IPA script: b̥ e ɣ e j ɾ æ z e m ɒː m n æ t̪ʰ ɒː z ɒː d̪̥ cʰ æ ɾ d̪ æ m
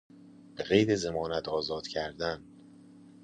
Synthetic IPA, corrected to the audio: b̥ e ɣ e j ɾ e z e m ɒː n æ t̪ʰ ɒː z ɒː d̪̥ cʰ æ ɾ d̪ æ n